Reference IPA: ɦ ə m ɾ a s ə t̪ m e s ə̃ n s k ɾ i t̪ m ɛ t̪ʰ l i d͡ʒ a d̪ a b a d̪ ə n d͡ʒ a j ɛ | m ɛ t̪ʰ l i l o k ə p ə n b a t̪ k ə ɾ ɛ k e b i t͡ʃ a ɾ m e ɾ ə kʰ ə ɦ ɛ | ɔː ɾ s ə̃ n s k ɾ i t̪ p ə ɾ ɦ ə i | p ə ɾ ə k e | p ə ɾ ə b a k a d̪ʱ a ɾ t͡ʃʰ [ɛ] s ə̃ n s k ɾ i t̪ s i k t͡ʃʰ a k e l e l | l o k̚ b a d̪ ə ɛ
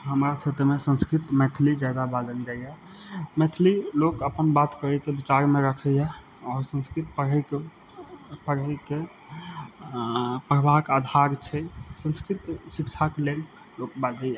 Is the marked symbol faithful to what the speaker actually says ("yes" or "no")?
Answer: yes